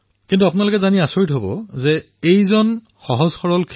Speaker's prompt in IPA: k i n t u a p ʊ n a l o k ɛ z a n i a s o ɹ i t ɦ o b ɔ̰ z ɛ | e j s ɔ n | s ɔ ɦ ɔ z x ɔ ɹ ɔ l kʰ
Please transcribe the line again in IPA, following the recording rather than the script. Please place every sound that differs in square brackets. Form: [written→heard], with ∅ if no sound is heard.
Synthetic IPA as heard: k i n t u a p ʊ n a l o k ɛ z a n i a s o ɹ i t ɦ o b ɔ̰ z ɛ | e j [s→z] ɔ n | [s→x] ɔ ɦ ɔ z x ɔ ɹ ɔ l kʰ